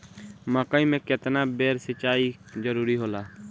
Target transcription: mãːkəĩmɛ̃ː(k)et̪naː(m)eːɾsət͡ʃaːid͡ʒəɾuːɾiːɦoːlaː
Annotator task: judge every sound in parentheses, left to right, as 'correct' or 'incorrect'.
correct, incorrect: b

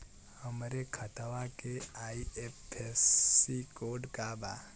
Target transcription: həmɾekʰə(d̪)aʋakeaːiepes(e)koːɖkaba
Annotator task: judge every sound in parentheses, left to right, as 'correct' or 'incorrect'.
incorrect: t̪, incorrect: i

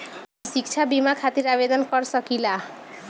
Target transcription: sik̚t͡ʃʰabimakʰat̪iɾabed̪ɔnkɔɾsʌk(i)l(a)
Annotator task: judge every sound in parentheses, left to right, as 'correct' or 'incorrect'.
correct, correct

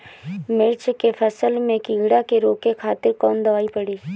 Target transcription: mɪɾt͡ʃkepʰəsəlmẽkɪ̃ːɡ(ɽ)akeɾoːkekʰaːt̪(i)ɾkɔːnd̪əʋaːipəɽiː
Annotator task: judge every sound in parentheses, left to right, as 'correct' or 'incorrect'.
correct, incorrect: ɪ

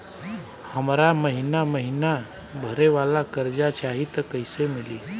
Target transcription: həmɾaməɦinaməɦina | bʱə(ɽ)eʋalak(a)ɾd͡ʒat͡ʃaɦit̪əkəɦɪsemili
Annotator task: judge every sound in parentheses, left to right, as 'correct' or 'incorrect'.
incorrect: ɾ, incorrect: ə

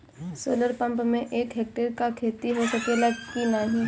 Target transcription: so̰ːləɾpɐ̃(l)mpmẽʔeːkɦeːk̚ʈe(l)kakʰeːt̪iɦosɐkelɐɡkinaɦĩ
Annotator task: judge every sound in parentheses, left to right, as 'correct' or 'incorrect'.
incorrect: none, incorrect: ɾ

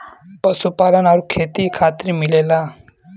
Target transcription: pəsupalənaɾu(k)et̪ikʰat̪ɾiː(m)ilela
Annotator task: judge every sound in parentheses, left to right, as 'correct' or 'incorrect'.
incorrect: kʰ, correct

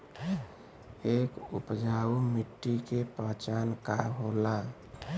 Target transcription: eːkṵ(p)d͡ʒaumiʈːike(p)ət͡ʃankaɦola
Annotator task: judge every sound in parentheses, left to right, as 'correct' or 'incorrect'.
correct, correct

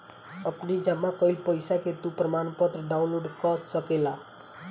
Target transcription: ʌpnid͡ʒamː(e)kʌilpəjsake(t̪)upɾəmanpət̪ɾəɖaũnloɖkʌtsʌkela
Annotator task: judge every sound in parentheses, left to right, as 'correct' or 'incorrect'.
incorrect: a, correct

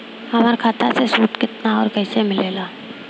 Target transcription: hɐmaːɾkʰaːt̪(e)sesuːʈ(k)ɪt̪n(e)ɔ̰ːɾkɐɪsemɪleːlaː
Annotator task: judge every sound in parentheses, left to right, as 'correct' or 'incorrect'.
incorrect: a, correct, incorrect: a

